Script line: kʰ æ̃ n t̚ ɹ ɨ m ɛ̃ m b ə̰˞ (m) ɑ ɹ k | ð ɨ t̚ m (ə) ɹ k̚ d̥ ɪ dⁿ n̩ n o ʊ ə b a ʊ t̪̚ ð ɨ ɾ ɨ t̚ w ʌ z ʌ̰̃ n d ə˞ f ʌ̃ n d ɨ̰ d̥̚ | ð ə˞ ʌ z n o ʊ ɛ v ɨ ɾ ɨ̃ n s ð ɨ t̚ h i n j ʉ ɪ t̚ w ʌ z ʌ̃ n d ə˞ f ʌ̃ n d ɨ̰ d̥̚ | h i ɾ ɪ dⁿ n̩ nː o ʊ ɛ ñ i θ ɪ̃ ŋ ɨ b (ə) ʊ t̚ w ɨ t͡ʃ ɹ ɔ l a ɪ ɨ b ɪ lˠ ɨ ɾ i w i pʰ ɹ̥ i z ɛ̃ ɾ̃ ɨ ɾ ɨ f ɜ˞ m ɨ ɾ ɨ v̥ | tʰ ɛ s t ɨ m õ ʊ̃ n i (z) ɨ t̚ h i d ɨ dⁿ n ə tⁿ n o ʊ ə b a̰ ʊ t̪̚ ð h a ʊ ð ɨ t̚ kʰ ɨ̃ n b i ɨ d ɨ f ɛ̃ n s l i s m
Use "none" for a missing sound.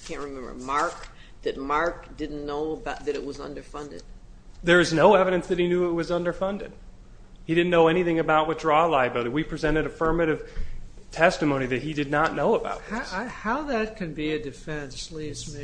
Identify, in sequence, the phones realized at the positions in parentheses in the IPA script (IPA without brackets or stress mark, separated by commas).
m, ɑ, a, ð